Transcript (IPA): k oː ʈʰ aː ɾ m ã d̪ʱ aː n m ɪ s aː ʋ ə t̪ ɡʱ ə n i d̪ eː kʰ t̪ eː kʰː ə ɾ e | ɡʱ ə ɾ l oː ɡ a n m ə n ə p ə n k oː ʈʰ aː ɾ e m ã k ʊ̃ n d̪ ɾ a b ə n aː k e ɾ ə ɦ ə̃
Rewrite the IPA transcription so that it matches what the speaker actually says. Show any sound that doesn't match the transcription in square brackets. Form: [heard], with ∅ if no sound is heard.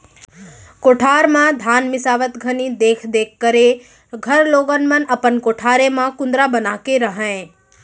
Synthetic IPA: k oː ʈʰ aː ɾ m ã d̪ʱ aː n m ɪ s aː ʋ ə t̪ ɡʱ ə n i d̪ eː kʰ [d̪] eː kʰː ə ɾ e | ɡʱ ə ɾ l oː ɡ [ə] n m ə n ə p ə n k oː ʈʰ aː ɾ e m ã k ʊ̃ n d̪ ɾ a b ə n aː k e ɾ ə ɦ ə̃